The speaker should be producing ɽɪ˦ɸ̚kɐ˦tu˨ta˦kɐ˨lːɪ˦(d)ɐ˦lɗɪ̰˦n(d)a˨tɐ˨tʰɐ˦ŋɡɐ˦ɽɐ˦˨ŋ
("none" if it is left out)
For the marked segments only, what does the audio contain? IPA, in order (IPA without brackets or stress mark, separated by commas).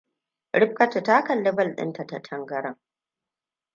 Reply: b, t